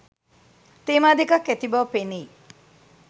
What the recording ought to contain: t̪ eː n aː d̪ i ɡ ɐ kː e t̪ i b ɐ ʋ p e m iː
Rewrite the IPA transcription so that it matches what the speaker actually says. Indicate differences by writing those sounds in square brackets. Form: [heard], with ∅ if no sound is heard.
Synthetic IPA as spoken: t̪ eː [m] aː d̪ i [k] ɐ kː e t̪ i b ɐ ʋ p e [n] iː